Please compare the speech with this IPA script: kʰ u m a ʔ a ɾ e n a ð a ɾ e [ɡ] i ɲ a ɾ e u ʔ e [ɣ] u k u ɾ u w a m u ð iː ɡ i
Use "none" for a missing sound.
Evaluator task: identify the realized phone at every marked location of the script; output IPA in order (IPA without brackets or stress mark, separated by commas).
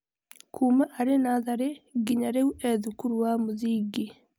ɡ, ð